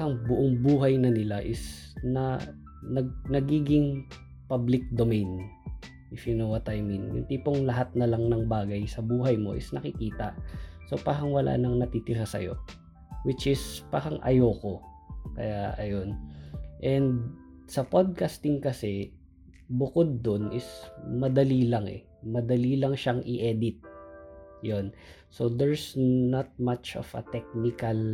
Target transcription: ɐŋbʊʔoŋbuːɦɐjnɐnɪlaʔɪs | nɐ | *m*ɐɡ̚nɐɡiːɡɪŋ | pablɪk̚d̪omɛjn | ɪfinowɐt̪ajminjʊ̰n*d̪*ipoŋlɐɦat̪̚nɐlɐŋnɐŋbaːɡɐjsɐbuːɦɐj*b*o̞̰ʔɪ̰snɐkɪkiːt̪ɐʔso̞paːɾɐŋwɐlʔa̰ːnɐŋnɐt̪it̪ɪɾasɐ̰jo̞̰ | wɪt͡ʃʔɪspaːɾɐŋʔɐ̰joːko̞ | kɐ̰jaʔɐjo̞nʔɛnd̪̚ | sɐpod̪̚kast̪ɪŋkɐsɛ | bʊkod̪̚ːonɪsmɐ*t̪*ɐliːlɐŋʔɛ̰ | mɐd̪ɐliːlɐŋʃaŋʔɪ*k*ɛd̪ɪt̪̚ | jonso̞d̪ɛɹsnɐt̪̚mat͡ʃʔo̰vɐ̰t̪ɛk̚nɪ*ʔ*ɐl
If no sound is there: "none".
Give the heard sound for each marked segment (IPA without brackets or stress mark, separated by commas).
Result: n, t̪, m, d̪, ʔ, k